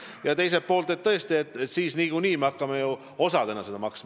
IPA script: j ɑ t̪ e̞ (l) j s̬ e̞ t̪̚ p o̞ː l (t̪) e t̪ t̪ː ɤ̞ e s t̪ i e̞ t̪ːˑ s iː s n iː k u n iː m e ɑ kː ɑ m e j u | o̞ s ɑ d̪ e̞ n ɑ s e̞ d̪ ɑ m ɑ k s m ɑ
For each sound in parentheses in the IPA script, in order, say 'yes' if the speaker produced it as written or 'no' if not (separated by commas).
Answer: no, yes